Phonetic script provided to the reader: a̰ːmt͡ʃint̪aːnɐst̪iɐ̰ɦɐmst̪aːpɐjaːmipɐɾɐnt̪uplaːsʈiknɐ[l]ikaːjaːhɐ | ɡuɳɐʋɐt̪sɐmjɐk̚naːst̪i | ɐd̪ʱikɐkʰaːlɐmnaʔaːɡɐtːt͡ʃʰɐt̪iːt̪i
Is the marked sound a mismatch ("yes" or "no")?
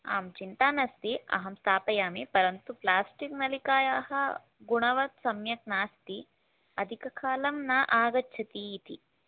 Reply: no